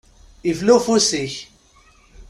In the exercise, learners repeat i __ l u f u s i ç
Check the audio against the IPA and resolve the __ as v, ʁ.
v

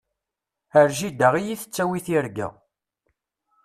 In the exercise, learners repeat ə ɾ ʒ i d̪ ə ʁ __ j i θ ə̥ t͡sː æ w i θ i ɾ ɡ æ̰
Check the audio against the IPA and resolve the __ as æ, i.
i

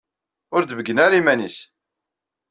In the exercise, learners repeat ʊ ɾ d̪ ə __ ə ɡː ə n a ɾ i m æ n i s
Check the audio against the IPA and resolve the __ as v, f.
v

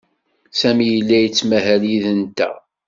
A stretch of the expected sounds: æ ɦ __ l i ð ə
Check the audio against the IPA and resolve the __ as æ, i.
æ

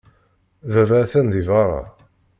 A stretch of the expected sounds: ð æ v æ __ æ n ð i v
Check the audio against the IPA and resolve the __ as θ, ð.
θ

